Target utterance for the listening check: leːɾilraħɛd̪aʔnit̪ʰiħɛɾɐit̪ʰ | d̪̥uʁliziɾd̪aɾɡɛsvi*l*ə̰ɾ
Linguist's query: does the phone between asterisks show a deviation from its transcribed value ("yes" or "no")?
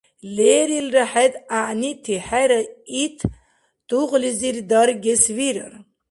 yes